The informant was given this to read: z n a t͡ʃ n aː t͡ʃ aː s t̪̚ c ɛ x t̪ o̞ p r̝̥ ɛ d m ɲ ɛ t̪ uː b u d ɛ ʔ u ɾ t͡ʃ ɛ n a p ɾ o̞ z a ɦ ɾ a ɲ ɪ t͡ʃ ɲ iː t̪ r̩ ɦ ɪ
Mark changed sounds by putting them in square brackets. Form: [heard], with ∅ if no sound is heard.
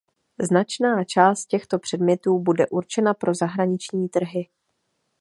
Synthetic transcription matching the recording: z n a t͡ʃ n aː t͡ʃ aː s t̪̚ c ɛ x t̪ o̞ p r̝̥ ɛ d m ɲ ɛ t̪ uː b u d ɛ ʔ u ɾ t͡ʃ ɛ n a p ɾ o̞ z a ɦ ɾ a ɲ ɪ t͡ʃ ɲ iː t̪ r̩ ɦ ɪ

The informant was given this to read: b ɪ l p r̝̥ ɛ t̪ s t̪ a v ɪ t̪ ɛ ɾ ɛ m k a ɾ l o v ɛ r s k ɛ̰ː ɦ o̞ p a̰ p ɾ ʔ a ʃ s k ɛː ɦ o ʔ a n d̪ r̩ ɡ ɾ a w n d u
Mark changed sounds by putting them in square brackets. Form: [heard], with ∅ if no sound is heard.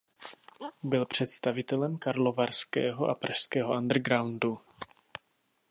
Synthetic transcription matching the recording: b ɪ l p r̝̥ ɛ t̪ s t̪ a v ɪ t̪ ɛ [l] ɛ m k a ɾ l o v [a] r s k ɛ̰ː ɦ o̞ [ʔ] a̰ p ɾ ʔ a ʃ s k ɛː ɦ o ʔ a n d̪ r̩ ɡ ɾ a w n d u

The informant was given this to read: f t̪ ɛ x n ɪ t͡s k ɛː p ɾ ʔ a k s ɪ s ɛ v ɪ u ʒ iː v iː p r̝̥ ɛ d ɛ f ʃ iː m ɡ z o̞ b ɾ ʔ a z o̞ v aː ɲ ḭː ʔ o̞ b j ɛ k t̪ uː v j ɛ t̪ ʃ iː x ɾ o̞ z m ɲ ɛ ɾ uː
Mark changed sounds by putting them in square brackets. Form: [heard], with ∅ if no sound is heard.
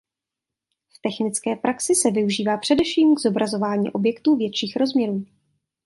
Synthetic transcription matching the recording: f t̪ ɛ x n ɪ t͡s k ɛː p ɾ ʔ a k s ɪ s ɛ v ɪ u ʒ iː v [aː] p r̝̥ ɛ d ɛ f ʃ iː m ɡ z o̞ b ɾ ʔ a z o̞ v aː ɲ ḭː ʔ o̞ b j ɛ k t̪ uː v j ɛ t̪ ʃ iː x ɾ o̞ z m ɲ ɛ ɾ uː

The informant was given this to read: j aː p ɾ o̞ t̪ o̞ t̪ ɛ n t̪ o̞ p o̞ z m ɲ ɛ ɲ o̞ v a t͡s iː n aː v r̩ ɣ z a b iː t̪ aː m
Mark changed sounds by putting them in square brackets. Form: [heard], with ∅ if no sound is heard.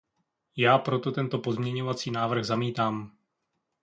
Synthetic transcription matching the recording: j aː p ɾ o̞ t̪ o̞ t̪ ɛ n t̪ o̞ p o̞ z m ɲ ɛ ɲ o̞ v a t͡s iː n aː v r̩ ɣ z a [m] iː t̪ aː m

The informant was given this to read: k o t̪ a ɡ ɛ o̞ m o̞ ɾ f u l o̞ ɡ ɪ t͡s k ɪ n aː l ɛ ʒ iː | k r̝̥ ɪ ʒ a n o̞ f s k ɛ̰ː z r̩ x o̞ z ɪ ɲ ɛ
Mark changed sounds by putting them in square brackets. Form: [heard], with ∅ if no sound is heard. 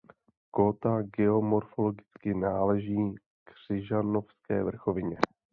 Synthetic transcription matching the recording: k o t̪ a ɡ ɛ o̞ m o̞ ɾ f [o] l o̞ ɡ ɪ t͡s k ɪ n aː l ɛ ʒ iː | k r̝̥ ɪ ʒ a n o̞ f s k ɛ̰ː [v] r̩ x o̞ [v] ɪ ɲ ɛ

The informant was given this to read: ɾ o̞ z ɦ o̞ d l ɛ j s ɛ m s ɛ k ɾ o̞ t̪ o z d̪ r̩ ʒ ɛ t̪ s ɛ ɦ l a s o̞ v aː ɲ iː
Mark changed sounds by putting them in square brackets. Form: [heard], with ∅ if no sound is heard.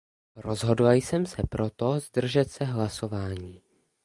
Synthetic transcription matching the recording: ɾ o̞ z ɦ o̞ d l [a] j s ɛ m s ɛ [p] ɾ o̞ t̪ o z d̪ r̩ ʒ ɛ t̪ s ɛ ɦ l a s o̞ v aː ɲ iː

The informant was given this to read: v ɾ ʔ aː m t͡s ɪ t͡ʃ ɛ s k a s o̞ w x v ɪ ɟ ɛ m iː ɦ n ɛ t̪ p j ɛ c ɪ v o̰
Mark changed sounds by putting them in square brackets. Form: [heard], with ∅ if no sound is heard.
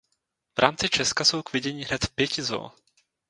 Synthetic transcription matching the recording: v ɾ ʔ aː m t͡s ɪ t͡ʃ ɛ s k a s o̞ w [k] v ɪ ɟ ɛ [ɲ] iː ɦ n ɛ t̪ p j ɛ c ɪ [z] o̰

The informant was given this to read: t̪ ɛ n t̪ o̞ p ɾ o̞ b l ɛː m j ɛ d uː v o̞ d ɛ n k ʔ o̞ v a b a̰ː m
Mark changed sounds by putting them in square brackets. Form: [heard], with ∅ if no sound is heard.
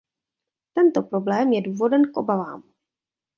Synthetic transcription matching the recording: t̪ ɛ n t̪ o̞ p ɾ o̞ b l ɛː m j ɛ d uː v o̞ d ɛ n k ʔ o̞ [b] a [v] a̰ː m

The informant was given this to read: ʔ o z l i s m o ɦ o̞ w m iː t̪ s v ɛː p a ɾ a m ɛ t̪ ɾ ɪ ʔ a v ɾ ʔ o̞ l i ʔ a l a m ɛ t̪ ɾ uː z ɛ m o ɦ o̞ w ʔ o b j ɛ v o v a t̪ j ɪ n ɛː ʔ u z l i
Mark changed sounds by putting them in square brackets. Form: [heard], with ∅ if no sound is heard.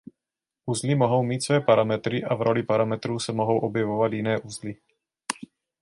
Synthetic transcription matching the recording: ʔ [u] z l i [∅] m o ɦ o̞ w m iː t̪ s v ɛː p a ɾ a m ɛ t̪ ɾ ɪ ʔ a v ɾ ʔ o̞ l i [p] a [ɾ] a m ɛ t̪ ɾ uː [s] ɛ m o ɦ o̞ w ʔ o b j ɛ v o v a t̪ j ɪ n ɛː ʔ u z l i

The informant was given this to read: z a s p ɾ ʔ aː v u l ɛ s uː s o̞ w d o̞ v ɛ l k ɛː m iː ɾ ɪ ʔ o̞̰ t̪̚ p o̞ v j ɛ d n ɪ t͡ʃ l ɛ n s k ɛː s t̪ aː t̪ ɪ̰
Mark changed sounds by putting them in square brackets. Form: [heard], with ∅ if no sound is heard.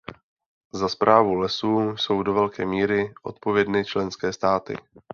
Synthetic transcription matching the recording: z a s p ɾ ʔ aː v u l ɛ s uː s o̞ w d o̞ v ɛ l k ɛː m iː ɾ ɪ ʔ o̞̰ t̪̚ p o̞ v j ɛ d n ɪ t͡ʃ l ɛ n s k ɛː s t̪ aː t̪ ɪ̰

